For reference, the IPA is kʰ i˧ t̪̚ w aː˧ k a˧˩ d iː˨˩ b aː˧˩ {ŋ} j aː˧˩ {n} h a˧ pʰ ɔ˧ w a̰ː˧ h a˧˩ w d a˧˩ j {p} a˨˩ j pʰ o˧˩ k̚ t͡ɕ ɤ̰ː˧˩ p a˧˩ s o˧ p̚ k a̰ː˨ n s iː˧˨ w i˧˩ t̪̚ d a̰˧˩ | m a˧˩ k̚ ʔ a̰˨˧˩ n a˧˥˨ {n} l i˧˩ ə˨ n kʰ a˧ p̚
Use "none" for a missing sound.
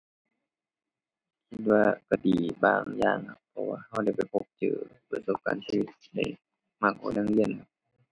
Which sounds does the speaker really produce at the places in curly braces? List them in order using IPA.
ŋ, ŋ, p, ŋ

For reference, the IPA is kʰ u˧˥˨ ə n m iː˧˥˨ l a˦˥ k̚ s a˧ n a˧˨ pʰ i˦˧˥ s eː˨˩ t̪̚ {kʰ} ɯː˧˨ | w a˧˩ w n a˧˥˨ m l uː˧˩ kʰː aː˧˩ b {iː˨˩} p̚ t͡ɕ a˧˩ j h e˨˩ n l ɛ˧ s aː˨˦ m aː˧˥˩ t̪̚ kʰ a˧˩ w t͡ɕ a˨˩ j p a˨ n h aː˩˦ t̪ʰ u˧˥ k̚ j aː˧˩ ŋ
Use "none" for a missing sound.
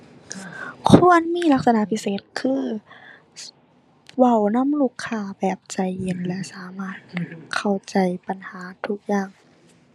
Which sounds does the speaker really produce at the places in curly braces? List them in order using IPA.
kʰ, ɛː˨˩

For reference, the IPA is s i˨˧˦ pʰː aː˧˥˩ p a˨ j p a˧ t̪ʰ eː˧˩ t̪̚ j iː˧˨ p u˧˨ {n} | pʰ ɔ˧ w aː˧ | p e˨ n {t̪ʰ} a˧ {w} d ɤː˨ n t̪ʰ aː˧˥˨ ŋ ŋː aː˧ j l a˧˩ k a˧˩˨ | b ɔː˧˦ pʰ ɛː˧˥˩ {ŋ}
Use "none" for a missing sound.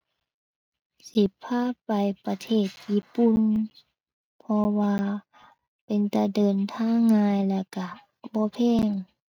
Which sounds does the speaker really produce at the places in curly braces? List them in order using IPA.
n, t̪, none, ŋ

